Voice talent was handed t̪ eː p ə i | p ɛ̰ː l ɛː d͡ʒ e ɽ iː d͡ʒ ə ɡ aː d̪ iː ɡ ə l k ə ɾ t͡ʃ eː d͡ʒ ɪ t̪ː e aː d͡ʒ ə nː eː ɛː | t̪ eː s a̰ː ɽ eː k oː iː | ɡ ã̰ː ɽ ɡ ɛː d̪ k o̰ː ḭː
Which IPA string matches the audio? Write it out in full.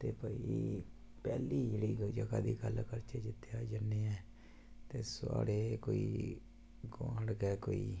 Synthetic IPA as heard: t̪ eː p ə i | p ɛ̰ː l iː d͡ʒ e ɽ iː d͡ʒ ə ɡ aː d̪ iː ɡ ə l k ə ɾ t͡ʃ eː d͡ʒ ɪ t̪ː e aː d͡ʒ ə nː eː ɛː | t̪ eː s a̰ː ɽ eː k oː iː | ɡ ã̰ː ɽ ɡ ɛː k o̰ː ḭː